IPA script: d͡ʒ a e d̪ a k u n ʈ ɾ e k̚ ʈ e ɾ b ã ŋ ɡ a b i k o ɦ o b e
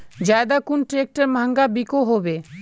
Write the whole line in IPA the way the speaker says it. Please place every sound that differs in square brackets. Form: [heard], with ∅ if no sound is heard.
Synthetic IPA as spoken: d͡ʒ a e d̪ a k u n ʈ ɾ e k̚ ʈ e ɾ [m] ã ŋ ɡ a b i k o ɦ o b e